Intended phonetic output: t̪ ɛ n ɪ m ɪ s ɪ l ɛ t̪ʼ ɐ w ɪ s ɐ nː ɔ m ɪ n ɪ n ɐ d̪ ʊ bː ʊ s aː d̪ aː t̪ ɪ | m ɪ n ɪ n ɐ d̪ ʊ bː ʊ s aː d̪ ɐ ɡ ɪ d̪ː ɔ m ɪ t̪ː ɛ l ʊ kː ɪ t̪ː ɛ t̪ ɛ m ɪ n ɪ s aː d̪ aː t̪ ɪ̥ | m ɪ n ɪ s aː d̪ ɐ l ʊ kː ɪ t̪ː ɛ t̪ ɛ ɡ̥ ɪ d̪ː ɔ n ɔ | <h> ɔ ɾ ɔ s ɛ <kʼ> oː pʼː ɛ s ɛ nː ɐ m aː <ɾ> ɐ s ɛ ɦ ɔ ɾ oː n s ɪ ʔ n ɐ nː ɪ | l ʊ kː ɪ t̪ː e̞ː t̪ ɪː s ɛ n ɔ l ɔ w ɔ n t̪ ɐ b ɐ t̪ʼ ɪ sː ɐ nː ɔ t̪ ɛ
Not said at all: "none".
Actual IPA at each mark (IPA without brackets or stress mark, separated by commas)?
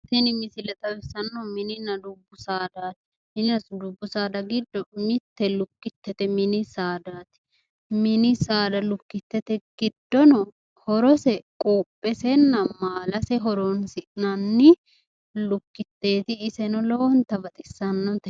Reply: h, kʼ, l